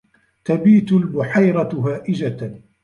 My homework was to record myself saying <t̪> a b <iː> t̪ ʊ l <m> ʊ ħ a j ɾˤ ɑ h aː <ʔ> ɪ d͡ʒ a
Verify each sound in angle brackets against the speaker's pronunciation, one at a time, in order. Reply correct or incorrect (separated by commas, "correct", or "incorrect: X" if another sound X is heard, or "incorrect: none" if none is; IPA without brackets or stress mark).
correct, correct, incorrect: b, correct